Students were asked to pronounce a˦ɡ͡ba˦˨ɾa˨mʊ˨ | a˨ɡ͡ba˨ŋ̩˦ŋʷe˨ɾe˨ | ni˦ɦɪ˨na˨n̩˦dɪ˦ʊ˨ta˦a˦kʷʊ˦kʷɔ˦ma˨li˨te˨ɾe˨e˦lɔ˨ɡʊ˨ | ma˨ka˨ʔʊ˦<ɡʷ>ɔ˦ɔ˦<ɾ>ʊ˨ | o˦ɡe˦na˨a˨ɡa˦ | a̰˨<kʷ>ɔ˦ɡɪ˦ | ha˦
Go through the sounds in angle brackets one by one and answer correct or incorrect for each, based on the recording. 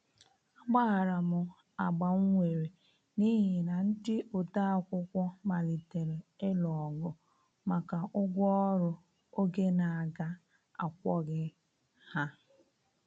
correct, correct, correct

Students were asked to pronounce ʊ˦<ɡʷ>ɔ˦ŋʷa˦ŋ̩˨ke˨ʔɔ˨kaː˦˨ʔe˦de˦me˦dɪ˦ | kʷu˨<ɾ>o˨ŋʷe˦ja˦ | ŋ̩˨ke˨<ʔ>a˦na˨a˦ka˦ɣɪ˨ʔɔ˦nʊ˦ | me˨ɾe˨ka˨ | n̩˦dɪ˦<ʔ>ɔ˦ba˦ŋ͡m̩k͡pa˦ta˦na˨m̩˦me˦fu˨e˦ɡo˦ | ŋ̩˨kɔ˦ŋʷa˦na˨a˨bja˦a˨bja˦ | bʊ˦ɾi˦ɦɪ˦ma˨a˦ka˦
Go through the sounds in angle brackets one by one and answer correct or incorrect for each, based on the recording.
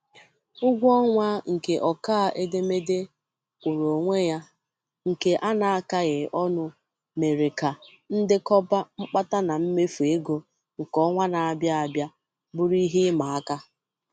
correct, correct, correct, incorrect: k

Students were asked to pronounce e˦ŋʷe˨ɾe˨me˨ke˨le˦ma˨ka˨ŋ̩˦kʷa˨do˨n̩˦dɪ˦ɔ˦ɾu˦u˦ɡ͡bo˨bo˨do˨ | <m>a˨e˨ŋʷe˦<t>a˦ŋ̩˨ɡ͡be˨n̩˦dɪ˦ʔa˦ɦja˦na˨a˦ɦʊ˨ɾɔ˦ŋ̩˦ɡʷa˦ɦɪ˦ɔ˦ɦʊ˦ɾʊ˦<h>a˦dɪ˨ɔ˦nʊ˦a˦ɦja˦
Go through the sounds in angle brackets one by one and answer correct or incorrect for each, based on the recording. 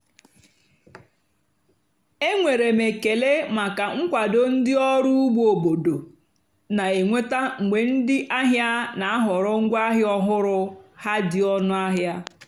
incorrect: n, correct, correct

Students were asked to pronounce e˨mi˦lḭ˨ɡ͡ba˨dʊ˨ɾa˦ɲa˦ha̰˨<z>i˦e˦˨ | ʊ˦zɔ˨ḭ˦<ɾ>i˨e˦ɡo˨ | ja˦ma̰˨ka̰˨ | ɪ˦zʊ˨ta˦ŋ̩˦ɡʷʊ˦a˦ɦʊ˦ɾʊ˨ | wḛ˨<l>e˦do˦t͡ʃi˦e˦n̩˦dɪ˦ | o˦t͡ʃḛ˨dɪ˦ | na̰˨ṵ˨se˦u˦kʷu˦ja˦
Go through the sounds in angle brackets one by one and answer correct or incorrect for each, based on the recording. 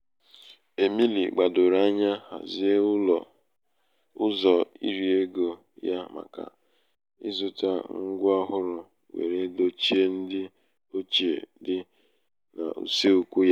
correct, correct, incorrect: ɾ

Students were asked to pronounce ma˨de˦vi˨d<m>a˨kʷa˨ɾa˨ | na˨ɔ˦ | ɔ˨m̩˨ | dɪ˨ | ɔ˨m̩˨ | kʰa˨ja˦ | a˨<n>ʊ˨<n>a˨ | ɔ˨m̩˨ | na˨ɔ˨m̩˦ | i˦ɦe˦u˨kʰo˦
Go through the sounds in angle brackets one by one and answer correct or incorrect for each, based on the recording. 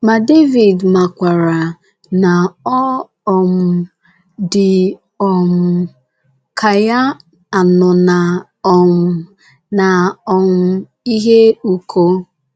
correct, correct, correct

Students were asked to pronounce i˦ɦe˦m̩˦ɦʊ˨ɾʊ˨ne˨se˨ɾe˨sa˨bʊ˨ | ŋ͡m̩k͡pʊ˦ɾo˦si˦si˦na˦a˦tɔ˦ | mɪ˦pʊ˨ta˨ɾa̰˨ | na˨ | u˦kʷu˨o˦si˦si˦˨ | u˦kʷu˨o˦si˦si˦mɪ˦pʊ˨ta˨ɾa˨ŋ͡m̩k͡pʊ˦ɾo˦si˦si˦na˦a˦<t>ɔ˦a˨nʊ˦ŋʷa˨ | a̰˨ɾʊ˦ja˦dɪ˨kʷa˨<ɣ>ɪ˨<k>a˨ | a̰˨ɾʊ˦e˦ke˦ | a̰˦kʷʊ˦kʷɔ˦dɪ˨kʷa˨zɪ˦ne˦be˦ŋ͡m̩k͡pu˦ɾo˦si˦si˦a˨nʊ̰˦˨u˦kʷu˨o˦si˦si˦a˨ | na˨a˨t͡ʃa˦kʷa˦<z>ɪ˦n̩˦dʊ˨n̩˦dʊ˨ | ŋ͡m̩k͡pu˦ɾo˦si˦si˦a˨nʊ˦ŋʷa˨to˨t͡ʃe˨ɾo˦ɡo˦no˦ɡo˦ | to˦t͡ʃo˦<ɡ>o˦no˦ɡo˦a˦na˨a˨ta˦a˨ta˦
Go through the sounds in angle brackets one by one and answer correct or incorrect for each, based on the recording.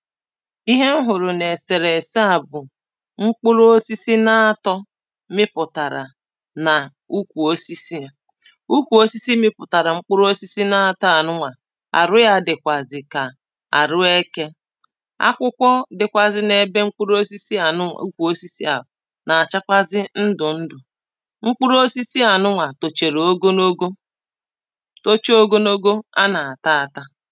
correct, incorrect: z, correct, correct, correct

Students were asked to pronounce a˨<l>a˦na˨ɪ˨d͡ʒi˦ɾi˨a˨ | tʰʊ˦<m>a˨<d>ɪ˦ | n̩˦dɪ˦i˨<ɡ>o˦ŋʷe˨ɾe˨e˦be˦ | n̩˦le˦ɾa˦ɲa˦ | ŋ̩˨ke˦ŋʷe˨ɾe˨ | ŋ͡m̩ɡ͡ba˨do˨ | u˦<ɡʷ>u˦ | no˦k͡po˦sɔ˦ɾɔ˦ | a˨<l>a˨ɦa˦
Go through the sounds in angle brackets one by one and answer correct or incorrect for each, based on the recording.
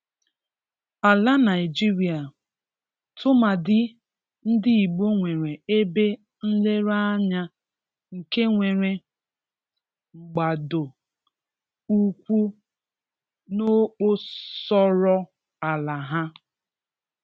correct, correct, correct, incorrect: ɡ͡b, incorrect: kʷ, correct

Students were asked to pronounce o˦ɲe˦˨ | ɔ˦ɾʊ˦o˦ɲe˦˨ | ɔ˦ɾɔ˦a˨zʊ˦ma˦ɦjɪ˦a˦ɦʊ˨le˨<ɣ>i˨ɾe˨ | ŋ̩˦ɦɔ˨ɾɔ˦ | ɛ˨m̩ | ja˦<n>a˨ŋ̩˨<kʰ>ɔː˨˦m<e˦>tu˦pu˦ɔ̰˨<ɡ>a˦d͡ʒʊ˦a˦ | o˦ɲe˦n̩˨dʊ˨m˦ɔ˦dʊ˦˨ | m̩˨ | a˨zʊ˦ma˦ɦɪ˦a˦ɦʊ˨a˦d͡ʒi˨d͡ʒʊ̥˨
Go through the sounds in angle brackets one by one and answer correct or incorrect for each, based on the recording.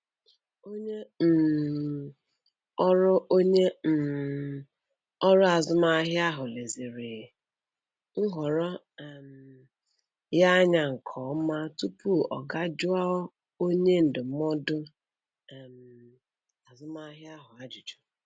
incorrect: z, incorrect: ɲ, correct, incorrect: a˦, correct

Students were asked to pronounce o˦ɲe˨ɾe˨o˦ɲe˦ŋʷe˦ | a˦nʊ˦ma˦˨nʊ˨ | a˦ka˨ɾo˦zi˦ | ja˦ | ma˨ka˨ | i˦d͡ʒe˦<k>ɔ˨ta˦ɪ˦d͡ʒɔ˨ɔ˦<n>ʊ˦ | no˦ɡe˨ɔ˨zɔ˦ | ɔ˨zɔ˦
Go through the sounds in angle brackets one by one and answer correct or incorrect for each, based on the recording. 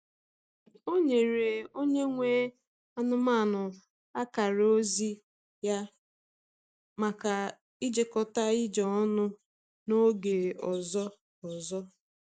correct, correct

